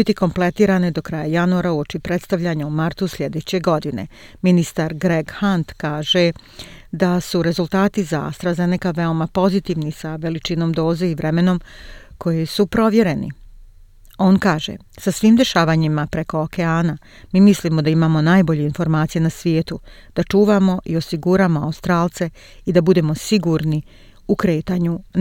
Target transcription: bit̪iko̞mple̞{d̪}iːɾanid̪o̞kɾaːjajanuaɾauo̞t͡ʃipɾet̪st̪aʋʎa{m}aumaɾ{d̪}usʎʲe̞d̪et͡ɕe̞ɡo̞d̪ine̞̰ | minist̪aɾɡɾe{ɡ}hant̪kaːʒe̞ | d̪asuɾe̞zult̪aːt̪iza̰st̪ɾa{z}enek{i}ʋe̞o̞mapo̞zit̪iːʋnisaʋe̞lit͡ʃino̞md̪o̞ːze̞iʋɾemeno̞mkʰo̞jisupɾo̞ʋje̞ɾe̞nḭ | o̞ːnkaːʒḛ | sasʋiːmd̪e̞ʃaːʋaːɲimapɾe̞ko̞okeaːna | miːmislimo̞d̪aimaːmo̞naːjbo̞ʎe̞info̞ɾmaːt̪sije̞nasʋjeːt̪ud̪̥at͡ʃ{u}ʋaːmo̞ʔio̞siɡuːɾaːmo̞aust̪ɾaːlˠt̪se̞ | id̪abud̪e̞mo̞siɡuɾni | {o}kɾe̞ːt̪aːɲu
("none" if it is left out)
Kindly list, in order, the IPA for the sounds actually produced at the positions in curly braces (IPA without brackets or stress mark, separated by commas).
t̪, ɲ, t̪, ɡ, z, a, uː, u